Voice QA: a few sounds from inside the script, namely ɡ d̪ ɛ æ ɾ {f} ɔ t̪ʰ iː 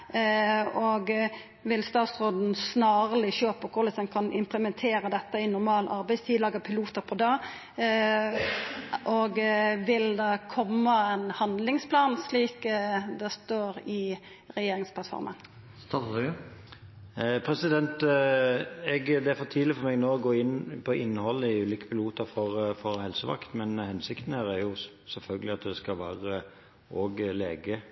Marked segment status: correct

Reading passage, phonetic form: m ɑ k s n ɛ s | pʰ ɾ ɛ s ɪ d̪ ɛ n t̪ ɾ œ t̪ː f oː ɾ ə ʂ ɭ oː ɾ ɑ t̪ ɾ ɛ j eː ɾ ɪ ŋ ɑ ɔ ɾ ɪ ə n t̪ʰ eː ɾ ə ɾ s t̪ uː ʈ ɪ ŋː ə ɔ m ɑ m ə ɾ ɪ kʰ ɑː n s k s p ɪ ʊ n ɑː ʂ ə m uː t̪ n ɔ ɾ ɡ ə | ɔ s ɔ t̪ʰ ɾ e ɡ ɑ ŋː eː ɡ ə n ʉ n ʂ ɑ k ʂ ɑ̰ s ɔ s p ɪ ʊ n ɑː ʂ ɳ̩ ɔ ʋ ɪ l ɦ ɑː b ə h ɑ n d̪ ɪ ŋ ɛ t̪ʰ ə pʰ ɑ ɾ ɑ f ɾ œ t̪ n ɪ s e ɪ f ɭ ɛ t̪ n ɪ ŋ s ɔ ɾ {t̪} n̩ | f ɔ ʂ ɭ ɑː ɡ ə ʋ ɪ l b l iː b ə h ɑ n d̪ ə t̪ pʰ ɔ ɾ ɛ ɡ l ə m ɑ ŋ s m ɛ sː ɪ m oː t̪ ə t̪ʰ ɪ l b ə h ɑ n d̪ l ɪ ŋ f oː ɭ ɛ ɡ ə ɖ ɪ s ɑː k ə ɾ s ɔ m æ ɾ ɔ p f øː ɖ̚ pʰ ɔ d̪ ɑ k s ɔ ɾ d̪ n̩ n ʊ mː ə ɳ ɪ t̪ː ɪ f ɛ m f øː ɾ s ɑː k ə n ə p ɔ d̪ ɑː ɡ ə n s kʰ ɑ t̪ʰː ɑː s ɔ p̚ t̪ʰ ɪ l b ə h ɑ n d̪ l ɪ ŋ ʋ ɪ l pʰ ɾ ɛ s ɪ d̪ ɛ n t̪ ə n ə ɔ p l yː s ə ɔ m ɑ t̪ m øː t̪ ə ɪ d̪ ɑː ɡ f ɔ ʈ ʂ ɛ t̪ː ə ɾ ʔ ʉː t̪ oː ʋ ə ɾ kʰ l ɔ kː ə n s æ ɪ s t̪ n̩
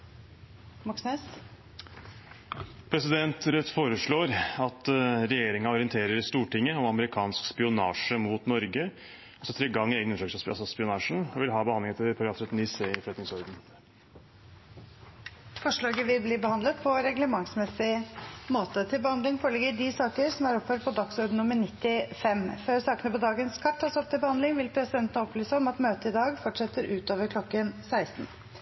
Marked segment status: incorrect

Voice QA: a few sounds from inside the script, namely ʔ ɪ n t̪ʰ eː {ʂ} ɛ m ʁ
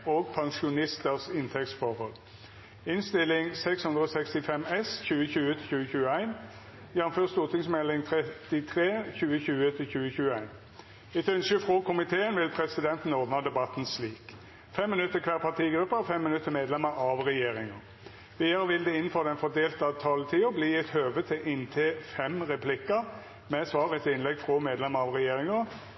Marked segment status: incorrect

